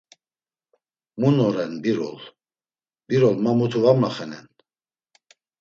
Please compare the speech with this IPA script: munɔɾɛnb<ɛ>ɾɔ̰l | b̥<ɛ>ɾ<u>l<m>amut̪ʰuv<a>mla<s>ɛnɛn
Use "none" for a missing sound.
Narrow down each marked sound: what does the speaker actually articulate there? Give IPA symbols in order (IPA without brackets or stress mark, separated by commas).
i, i, ɔ, m, a, χ